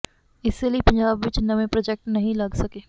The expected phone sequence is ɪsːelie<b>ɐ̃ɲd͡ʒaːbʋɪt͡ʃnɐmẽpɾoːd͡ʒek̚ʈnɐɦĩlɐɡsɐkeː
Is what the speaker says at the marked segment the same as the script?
no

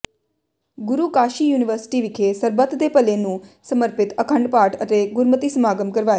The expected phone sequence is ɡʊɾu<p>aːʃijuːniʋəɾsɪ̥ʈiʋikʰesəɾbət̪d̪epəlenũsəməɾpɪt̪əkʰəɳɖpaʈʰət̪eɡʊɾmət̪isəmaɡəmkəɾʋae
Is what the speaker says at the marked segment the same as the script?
no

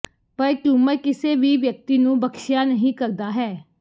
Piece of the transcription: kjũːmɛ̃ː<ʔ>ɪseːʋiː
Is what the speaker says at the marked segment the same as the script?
no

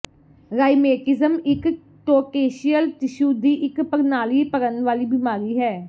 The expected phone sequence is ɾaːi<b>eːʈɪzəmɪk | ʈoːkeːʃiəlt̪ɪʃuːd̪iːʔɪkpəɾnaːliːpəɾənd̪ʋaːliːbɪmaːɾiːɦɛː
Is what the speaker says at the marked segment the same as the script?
no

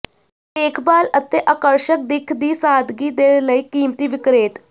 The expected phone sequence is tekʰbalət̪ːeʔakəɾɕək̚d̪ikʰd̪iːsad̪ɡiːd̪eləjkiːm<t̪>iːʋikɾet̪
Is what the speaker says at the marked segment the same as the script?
yes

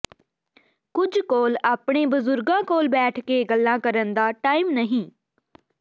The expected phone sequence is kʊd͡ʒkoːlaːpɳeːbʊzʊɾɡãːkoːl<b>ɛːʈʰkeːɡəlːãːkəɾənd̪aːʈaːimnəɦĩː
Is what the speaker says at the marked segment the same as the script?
yes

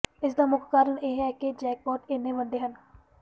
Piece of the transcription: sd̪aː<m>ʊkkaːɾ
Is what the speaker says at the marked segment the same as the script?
yes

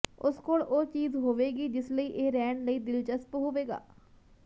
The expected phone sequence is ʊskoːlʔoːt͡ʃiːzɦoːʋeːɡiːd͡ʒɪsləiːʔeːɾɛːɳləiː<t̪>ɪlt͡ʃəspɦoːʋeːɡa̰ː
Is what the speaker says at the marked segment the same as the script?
no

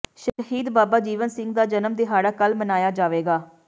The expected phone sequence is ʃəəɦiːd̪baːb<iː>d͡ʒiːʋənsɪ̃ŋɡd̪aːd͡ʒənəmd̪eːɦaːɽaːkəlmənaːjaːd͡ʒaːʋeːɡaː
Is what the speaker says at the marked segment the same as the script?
no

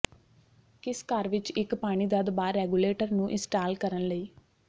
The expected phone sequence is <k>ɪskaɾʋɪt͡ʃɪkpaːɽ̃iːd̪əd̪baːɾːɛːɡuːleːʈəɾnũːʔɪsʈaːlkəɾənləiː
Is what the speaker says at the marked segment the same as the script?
yes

